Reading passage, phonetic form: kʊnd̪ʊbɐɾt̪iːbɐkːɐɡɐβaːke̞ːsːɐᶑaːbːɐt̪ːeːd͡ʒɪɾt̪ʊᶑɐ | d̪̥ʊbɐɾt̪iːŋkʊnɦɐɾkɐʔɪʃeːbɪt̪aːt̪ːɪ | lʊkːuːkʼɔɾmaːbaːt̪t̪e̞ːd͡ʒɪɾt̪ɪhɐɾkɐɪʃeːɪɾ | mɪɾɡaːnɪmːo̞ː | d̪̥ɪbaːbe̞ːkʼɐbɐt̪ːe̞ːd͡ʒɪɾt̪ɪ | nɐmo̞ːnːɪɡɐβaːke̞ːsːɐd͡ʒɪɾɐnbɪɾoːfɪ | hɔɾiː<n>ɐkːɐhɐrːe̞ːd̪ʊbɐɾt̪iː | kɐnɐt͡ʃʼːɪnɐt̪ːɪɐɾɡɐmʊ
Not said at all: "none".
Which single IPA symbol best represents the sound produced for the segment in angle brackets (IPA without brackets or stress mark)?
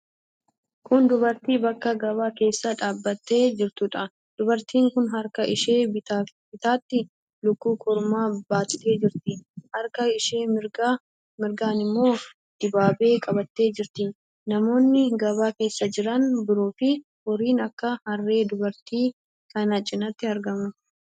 n